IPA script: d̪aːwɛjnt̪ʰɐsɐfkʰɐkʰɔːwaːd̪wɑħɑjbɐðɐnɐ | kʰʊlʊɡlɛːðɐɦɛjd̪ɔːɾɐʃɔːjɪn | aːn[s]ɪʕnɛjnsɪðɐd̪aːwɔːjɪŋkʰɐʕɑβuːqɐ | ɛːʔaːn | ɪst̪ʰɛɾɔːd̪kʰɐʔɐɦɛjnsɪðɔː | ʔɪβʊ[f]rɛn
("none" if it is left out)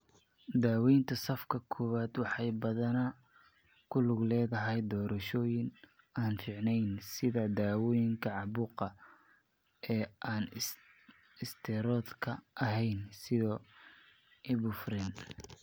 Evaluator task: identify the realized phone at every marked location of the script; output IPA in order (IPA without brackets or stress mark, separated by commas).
f, f